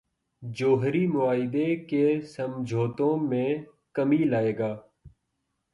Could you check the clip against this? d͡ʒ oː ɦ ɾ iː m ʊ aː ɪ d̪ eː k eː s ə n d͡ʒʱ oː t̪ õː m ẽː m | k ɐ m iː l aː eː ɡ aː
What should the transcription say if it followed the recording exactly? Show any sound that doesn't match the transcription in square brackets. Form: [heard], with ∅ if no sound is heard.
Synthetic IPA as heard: d͡ʒ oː ɦ ɾ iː m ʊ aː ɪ d̪ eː k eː s ə [m] d͡ʒʱ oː t̪ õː m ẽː [∅] | k [ə] m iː l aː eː ɡ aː